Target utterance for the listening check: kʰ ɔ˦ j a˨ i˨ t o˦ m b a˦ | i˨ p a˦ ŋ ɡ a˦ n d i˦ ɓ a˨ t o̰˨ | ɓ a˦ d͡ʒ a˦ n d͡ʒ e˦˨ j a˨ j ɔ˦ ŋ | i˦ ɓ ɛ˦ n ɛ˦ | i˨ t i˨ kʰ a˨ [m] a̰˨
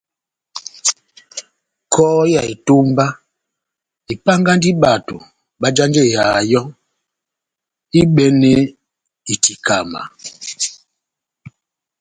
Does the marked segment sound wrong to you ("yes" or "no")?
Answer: no